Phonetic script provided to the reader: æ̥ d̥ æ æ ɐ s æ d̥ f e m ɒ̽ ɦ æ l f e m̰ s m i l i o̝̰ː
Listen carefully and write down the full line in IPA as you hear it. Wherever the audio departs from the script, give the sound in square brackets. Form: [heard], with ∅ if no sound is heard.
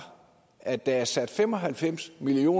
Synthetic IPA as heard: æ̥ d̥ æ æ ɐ s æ d̥ f e m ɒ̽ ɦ æ l f e m̰ s m i l i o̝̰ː

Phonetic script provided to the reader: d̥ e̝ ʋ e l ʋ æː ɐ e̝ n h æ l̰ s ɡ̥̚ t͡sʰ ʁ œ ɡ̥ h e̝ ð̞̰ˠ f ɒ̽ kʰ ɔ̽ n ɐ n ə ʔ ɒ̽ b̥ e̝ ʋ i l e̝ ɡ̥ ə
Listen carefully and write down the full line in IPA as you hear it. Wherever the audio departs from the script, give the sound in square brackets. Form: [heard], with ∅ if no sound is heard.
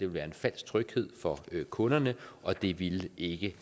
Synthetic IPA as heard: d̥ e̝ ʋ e l ʋ æː ɐ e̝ n [f] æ l̰ s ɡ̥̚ t͡sʰ ʁ œ ɡ̥ h e̝ ð̞̰ˠ f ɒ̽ kʰ ɔ̽ n ɐ n ə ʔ ɒ̽ [d̥] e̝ ʋ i l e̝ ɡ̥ ə

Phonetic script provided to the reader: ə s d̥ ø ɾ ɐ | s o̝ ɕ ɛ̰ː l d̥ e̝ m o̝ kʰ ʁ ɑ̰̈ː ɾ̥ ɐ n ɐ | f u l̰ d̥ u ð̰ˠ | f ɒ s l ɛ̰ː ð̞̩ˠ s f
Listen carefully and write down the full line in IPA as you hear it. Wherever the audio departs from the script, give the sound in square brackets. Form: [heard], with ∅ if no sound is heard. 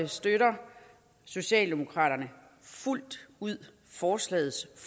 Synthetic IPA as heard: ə s d̥ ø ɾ ɐ | s o̝ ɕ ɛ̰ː l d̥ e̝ m o̝ kʰ ʁ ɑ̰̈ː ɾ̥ ɐ n [ə] | f u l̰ d̥ u ð̰ˠ | f [ɒː] s l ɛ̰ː ð̞̩ˠ s f

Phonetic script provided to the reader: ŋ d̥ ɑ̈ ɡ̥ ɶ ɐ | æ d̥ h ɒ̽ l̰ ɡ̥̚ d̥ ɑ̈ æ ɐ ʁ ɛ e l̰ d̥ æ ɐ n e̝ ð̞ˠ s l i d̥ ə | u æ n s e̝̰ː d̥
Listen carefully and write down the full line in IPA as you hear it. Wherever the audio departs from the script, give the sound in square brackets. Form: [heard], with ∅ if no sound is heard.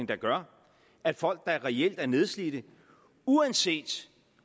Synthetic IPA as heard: ŋ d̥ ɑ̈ ɡ̥ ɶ ɐ | æ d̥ [f] ɒ̽ l̰ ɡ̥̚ d̥ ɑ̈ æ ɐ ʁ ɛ e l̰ d̥ æ ɐ n e̝ ð̞ˠ s l i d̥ ə | u æ n s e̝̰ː d̥

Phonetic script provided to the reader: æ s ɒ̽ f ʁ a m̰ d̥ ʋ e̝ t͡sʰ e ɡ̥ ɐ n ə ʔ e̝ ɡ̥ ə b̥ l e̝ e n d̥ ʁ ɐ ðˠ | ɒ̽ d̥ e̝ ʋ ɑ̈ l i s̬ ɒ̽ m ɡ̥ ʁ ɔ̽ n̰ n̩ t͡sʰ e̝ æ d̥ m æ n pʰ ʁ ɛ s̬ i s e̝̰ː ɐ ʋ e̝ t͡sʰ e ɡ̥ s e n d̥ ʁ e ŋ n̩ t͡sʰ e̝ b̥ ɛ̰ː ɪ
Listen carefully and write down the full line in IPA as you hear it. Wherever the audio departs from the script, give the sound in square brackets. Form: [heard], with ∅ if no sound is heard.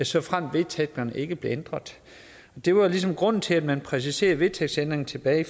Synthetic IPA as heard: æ s ɒ̽ f ʁ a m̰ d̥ ʋ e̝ t͡sʰ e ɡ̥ ɐ n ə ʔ e̝ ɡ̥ ə b̥ l e̝ e n d̥ ʁ ɐ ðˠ | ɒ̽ d̥ e̝ ʋ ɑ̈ l i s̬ ɒ̽ m ɡ̥ ʁ ɔ̽ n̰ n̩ t͡sʰ e̝ æ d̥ m æ n pʰ ʁ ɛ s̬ i s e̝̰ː ɐ ʋ e̝ t͡sʰ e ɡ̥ s e n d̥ ʁ e ŋ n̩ t͡sʰ e̝ b̥ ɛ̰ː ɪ

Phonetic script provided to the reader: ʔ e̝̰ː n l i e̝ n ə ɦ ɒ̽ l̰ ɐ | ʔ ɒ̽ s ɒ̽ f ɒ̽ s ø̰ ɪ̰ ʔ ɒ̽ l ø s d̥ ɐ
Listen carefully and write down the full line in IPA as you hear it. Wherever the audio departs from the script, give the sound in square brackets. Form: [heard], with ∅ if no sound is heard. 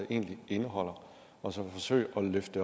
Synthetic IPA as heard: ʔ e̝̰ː n l i e̝ n ə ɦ ɒ̽ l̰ ɐ | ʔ ɒ̽ s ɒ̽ f ɒ̽ s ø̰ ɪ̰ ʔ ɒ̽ l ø [f] d̥ [ə]

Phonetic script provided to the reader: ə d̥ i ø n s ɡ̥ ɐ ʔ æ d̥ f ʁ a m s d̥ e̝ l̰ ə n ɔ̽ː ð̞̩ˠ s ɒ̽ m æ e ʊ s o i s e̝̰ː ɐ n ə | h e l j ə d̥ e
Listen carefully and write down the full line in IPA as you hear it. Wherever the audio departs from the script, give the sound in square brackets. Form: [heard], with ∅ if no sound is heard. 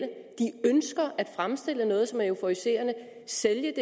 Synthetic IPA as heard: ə d̥ i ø n s ɡ̥ ɐ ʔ æ d̥ f ʁ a m s d̥ e̝ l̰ ə n ɔ̽ː ð̞̩ˠ s ɒ̽ m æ e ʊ [f] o i s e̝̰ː ɐ n ə | [s] e l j ə d̥ e

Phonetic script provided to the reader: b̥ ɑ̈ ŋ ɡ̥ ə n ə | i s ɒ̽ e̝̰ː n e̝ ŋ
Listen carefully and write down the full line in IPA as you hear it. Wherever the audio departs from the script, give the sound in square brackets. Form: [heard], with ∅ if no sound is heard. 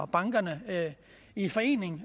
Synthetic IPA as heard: b̥ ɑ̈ ŋ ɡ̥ [ɐ] n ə | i [f] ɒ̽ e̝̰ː n e̝ ŋ

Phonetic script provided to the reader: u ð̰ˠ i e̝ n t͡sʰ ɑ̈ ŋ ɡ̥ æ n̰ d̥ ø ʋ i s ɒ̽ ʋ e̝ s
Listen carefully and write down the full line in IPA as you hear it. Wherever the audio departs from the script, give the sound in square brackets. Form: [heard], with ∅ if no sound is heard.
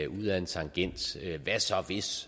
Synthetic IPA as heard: u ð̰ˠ [æ] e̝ n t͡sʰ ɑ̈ ŋ ɡ̥ [e] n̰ d̥ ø ʋ [æ] s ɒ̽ ʋ e̝ s

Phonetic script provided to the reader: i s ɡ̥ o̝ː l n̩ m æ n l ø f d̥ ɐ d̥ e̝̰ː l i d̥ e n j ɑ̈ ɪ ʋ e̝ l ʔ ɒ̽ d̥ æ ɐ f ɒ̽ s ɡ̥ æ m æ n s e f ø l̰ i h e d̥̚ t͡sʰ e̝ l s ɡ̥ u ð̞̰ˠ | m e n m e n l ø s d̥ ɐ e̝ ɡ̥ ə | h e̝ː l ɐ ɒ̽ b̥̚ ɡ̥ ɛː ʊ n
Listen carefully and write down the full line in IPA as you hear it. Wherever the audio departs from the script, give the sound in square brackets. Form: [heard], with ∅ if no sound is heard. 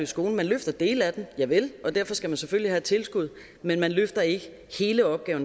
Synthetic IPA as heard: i s ɡ̥ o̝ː l n̩ m æ n l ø f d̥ ɐ d̥ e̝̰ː l [æ] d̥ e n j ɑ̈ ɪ ʋ e̝ l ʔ ɒ̽ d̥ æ ɐ f ɒ̽ s ɡ̥ æ m æ n s e f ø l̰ i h [æ] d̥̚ t͡sʰ e̝ l s ɡ̥ u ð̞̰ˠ | m e n m [æ] n l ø [f] d̥ ɐ e̝ ɡ̥ ə | h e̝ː l [ə] ɒ̽ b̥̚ ɡ̥ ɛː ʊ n

